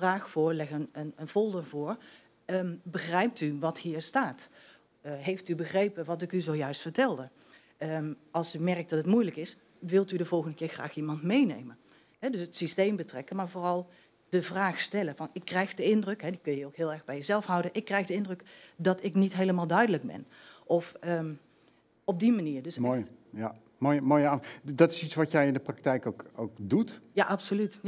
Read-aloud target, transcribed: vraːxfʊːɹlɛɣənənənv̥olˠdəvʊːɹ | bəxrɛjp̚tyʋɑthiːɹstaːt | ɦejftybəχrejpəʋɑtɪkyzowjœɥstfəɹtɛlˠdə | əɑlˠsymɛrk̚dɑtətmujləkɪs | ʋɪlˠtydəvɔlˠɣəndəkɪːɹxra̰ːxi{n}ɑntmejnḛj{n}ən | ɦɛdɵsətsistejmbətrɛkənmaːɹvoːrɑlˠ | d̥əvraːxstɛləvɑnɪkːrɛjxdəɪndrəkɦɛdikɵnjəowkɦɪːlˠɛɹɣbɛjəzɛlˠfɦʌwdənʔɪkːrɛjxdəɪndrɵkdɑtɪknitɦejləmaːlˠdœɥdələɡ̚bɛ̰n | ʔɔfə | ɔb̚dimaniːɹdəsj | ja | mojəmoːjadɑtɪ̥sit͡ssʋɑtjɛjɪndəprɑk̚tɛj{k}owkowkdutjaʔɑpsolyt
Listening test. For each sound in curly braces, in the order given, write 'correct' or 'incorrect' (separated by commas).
incorrect, incorrect, correct